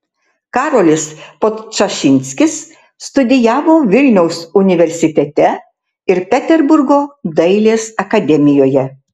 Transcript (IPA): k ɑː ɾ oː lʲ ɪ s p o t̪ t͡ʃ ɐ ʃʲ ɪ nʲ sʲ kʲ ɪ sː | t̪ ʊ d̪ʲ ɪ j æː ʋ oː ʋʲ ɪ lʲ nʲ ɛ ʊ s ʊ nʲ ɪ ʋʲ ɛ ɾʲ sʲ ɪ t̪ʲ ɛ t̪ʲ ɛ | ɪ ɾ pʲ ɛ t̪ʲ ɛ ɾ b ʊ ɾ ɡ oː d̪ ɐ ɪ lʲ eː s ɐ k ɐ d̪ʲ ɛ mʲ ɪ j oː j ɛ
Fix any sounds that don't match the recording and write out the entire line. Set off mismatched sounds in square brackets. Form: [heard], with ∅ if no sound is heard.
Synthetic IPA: k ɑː ɾ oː lʲ ɪ s p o t̪ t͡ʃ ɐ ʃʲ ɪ nʲ sʲ kʲ ɪ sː | t̪ ʊ d̪ʲ ɪ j æː ʋ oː ʋʲ ɪ lʲ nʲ ɛ ʊ s ʊ nʲ ɪ ʋʲ ɛ ɾʲ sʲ ɪ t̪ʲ ɛ t̪ʲ ɛ | ɪ ɾ pʲ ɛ t̪ʲ ɛ ɾ b ʊ ɾ ɡ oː d̪ ɐ ɪ lʲ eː s ɐ k ɐ d̪ʲ ɛ mʲ ɪ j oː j ɛ

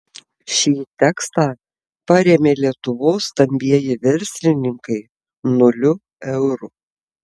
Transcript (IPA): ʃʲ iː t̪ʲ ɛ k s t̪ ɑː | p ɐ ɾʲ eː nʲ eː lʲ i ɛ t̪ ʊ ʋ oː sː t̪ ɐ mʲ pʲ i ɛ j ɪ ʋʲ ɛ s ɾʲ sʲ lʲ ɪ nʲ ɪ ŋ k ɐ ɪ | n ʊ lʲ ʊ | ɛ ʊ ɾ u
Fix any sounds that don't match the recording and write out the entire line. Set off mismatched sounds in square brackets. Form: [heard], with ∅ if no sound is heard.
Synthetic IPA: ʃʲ iː t̪ʲ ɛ k s t̪ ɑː | p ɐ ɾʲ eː [mʲ] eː lʲ i ɛ t̪ ʊ ʋ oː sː t̪ ɐ mʲ [bʲ] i ɛ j ɪ ʋʲ ɛ [∅] ɾʲ sʲ lʲ ɪ nʲ ɪ ŋ k ɐ ɪ | n ʊ lʲ ʊ | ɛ ʊ ɾ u

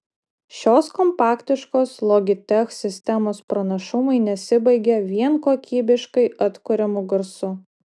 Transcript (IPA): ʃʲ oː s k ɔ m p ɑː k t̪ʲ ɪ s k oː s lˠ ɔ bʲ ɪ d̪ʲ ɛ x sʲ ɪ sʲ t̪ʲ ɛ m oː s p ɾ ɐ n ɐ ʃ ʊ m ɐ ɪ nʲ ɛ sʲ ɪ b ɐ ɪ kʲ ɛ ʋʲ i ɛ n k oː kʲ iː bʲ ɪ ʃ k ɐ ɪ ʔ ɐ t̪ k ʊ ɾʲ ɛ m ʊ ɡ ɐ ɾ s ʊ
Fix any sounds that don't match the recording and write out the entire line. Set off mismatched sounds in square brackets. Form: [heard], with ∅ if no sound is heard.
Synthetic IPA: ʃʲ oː s k ɔ m p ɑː k t̪ʲ ɪ [ʃ] k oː s lˠ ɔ [ɡʲ] ɪ [t̪ʲ] ɛ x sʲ ɪ sʲ t̪ʲ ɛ m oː s p ɾ ɐ n ɐ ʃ ʊ m ɐ ɪ nʲ ɛ sʲ ɪ b ɐ ɪ [ɡʲ] ɛ ʋʲ i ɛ n k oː kʲ iː bʲ ɪ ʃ k ɐ ɪ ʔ ɐ t̪ k ʊ ɾʲ ɛ m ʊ ɡ ɐ ɾ s ʊ

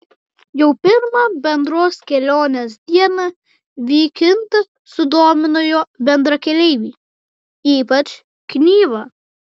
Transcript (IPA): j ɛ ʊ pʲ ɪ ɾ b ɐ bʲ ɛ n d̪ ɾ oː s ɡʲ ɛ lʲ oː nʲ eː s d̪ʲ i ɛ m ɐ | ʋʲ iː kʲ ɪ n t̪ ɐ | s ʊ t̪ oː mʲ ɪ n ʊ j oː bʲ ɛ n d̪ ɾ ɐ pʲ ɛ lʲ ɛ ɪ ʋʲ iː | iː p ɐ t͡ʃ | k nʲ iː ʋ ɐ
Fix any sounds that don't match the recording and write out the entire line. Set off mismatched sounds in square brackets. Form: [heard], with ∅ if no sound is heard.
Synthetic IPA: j ɛ ʊ pʲ ɪ ɾ [m] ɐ bʲ ɛ n d̪ ɾ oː s [kʲ] ɛ lʲ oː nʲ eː s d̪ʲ i ɛ [n] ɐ | ʋʲ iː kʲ ɪ n t̪ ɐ | s ʊ [d̪] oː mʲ ɪ n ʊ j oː bʲ ɛ n d̪ ɾ ɐ [kʲ] ɛ lʲ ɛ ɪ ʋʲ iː | iː p ɐ t͡ʃ | k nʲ iː ʋ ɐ

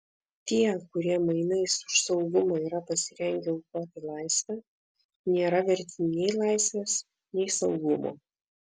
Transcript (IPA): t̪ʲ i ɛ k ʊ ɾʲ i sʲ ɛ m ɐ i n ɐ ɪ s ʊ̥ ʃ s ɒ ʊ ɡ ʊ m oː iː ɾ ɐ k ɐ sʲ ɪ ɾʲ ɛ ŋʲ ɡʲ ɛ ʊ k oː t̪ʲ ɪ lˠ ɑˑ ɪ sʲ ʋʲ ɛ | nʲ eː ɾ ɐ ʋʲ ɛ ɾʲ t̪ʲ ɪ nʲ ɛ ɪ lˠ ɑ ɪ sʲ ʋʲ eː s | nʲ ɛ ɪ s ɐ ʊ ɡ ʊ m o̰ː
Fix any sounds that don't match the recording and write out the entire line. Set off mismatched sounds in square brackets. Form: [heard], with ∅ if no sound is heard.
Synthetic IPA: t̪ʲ i ɛ k ʊ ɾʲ i [∅] ɛ m ɐ [ɪ] n ɐ ɪ s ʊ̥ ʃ s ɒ ʊ ɡ ʊ m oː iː ɾ ɐ [p] ɐ sʲ ɪ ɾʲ ɛ ŋʲ ɡʲ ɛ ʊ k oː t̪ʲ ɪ lˠ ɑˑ ɪ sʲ ʋʲ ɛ | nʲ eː ɾ ɐ ʋʲ ɛ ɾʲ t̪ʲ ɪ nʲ ɛ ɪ lˠ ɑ ɪ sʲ ʋʲ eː s | nʲ ɛ ɪ s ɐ ʊ ɡ ʊ m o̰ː

